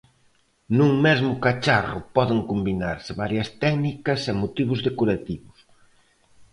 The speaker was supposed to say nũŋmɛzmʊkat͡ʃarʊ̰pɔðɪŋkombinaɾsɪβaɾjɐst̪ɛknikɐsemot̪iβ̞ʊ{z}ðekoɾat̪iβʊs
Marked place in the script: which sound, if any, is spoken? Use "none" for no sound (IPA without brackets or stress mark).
z